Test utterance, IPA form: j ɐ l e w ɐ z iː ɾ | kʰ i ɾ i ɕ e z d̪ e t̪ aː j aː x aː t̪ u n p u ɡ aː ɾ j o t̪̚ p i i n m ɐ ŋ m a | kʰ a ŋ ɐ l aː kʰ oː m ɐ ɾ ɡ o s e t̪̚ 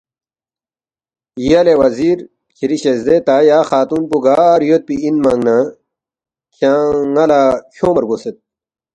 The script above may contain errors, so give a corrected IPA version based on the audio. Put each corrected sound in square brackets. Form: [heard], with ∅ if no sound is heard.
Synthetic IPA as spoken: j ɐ l e w ɐ z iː ɾ | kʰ i ɾ i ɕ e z d̪ e t̪ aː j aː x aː t̪ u n p u ɡ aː ɾ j o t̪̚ p i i n m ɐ ŋ [n] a | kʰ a ŋ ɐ l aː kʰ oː m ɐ ɾ ɡ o s e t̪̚